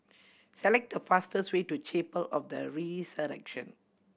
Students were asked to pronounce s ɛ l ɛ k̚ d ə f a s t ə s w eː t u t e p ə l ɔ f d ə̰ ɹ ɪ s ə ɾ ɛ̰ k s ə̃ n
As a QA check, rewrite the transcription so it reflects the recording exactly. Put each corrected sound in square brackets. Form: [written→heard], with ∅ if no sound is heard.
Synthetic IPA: s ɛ l ɛ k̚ d ə f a s t ə s w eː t u [t→t͡ʃ] e p ə l ɔ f d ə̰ ɹ [ɪ→i] s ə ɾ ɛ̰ k [s→ʃ] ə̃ n